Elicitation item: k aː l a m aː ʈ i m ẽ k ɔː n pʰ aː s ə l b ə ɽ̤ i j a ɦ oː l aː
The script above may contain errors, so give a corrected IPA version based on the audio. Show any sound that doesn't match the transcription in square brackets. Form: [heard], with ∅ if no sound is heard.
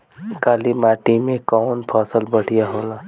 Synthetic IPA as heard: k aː l [i] m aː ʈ i m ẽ k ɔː n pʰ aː s ə l b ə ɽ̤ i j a ɦ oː l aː